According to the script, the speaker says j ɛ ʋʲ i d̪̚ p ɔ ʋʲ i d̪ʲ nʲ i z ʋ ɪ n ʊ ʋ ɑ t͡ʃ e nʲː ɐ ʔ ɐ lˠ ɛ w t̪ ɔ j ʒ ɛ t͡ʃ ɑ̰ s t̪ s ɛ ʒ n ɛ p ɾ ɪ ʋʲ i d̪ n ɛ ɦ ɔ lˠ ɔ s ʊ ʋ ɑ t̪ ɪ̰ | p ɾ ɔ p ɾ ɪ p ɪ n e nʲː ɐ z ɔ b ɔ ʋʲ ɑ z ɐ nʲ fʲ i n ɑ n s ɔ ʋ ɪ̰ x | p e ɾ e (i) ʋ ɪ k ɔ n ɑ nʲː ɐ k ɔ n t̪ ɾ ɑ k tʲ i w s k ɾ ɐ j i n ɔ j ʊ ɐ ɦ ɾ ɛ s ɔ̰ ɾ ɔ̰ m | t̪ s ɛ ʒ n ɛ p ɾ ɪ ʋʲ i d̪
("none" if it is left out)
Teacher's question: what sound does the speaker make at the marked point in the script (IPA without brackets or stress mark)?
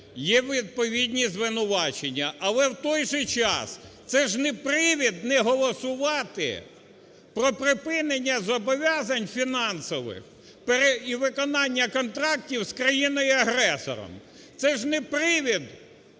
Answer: i